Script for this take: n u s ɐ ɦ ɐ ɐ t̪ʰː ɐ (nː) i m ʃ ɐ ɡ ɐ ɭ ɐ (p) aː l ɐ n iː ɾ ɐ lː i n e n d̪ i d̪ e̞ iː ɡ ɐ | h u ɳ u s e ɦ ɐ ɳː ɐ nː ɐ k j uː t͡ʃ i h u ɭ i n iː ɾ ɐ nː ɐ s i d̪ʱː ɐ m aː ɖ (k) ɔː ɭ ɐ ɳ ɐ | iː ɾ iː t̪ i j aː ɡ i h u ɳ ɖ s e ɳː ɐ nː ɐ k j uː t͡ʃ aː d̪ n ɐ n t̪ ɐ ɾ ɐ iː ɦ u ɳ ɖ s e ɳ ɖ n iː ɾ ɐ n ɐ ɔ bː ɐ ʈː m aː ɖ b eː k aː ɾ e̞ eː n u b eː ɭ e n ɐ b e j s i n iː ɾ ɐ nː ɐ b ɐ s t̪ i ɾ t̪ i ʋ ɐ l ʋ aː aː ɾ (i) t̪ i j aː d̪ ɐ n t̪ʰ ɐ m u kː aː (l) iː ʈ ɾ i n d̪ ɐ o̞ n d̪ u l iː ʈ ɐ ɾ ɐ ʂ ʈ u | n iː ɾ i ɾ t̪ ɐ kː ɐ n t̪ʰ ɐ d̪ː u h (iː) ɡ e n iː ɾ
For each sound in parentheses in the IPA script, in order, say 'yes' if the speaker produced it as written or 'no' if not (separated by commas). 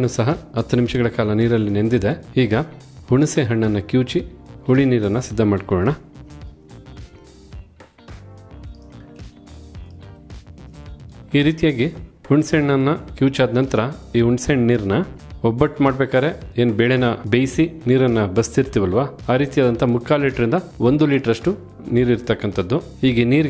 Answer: no, no, yes, no, yes, yes